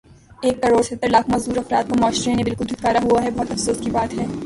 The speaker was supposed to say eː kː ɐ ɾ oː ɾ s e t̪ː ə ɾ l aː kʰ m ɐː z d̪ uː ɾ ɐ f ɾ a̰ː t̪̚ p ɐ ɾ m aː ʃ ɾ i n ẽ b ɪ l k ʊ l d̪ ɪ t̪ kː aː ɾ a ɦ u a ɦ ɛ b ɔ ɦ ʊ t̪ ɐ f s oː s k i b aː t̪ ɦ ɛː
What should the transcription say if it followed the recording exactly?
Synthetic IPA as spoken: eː kː ɐ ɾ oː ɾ s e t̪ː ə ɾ l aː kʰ m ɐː z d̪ uː ɾ ɐ f ɾ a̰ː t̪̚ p ɐ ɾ m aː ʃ ɾ e n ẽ b ɪ l k ʊ l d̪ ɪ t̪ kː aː ɾ a ɦ u a ɦ ɛ b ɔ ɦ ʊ t̪ ɐ f s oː s k i b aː t̪ ɦ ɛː